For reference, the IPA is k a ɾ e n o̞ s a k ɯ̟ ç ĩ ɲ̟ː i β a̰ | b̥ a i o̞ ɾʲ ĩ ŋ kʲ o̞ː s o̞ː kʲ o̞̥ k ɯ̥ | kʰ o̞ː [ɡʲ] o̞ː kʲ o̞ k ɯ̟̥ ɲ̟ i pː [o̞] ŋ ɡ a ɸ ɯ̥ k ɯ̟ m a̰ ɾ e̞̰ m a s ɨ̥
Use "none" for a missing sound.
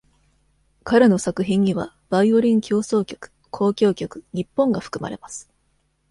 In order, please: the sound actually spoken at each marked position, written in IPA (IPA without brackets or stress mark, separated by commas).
kʲ, õ̞